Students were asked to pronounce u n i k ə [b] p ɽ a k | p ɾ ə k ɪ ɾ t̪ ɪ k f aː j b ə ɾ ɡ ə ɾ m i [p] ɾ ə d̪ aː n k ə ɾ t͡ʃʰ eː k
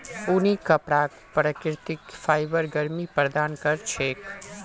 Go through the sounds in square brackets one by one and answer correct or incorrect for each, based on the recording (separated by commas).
incorrect, correct